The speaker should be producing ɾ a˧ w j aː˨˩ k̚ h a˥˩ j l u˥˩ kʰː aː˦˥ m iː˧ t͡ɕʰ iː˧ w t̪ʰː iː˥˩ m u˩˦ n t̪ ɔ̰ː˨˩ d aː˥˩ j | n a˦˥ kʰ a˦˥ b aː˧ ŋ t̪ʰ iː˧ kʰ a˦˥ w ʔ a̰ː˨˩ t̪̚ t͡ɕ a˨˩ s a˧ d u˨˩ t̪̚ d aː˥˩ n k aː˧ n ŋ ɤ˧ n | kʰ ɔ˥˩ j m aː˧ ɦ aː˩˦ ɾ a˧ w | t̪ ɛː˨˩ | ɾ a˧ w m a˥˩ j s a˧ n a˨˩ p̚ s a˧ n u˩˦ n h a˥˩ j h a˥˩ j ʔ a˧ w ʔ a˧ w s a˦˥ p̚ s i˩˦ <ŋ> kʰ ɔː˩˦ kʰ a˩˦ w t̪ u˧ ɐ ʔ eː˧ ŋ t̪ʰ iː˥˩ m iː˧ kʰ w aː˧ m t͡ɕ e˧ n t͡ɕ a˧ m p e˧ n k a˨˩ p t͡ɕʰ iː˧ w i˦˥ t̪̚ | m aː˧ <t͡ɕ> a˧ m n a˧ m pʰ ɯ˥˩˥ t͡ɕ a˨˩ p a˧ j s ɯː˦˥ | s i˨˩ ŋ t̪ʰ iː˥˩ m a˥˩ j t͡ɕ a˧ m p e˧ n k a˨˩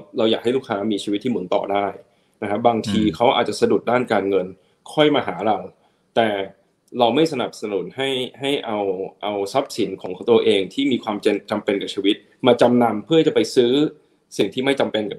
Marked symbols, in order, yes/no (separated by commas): no, yes